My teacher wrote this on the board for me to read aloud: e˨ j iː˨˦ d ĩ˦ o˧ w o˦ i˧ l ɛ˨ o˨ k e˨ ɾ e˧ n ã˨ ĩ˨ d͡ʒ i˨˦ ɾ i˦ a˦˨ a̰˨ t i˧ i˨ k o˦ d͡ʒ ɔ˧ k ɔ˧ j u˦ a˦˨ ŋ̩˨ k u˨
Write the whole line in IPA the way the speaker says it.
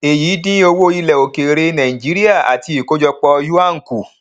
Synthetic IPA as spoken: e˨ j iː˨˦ d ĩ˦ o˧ w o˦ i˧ l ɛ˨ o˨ k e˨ ɾ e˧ n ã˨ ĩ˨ d͡ʒ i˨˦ ɾ i˦ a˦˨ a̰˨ t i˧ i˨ k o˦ d͡ʒ ɔ˧ k͡p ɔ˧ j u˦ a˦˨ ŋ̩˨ k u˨